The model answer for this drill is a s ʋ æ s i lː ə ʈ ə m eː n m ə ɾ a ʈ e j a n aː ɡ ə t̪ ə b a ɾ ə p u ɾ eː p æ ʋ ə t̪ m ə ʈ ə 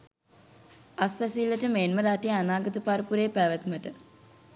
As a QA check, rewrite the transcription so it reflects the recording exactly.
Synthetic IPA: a s ʋ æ s i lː ə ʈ ə m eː n m ə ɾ a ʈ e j a n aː ɡ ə t̪ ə p a ɾ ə p u ɾ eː p æ ʋ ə t̪ m ə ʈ ə